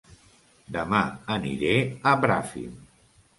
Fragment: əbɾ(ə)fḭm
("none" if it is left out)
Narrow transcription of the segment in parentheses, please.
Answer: a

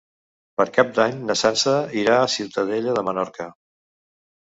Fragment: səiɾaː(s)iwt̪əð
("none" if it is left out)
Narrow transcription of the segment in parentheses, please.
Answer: s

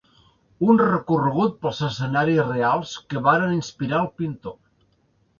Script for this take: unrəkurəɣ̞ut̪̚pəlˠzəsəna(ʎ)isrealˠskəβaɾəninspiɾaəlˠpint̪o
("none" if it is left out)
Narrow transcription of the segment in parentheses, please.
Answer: ɾ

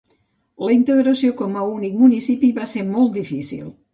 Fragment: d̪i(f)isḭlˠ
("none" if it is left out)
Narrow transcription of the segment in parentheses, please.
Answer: f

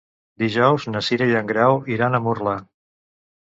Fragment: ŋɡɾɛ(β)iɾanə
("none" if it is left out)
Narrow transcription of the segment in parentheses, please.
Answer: w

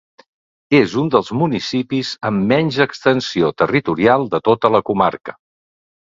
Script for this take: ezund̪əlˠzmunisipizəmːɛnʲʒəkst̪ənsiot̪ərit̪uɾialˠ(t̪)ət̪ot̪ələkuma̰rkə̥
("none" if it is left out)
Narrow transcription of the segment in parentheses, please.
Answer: d̪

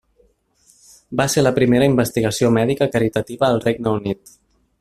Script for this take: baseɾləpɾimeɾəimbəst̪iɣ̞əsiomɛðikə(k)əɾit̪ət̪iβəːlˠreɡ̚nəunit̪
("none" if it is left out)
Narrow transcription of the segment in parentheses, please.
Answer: k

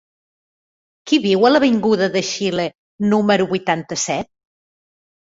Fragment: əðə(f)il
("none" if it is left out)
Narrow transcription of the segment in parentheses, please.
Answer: ʃ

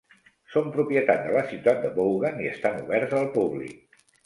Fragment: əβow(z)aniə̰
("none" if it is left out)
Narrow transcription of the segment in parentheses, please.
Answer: ɣ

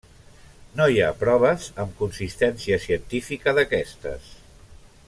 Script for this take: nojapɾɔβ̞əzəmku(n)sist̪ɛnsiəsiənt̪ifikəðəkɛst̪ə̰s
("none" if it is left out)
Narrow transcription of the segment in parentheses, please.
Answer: n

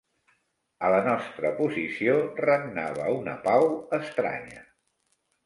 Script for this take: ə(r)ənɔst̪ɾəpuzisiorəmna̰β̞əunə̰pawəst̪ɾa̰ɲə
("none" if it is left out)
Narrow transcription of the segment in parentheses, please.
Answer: l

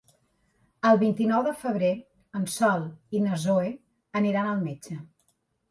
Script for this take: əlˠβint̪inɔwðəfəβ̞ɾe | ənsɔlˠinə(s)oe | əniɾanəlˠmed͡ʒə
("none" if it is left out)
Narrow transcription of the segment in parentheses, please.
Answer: z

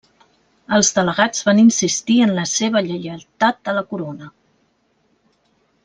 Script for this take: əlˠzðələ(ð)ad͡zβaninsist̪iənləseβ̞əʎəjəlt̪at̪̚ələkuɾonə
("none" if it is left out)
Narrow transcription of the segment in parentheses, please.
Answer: ɣ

